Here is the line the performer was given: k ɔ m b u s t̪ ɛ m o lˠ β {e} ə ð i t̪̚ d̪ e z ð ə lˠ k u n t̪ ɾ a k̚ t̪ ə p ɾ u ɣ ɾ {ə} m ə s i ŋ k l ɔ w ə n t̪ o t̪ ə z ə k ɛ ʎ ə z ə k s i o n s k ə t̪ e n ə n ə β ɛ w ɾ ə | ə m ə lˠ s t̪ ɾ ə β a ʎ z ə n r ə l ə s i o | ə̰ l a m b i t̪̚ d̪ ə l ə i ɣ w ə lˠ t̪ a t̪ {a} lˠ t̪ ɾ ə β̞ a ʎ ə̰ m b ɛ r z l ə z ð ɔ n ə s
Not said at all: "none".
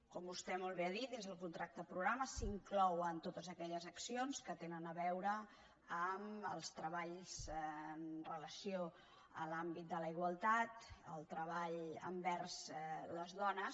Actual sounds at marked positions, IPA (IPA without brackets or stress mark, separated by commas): e, a, ə